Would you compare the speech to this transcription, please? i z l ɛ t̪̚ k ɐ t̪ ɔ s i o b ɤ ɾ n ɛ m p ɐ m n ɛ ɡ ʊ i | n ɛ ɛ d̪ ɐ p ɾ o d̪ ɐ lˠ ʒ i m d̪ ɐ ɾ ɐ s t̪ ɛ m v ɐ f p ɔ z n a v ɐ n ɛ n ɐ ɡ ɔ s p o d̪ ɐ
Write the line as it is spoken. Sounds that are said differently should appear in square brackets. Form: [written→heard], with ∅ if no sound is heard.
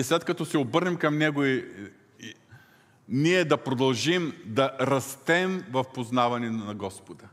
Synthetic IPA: i [z→s] l ɛ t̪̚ k ɐ t̪ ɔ s [i→ɛ] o b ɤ ɾ n ɛ m [p→k] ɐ m n ɛ ɡ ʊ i | n [ɛ→i] ɛ d̪ ɐ p ɾ o d̪ ɐ lˠ ʒ i m d̪ ɐ ɾ ɐ s t̪ ɛ m v ɐ f p [ɔ→o] z n a v ɐ n ɛ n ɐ ɡ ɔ s p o d̪ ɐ